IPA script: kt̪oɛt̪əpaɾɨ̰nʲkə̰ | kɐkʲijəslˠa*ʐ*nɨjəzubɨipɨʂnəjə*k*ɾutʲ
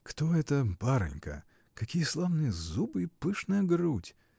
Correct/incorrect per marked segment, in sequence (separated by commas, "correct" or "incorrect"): incorrect, incorrect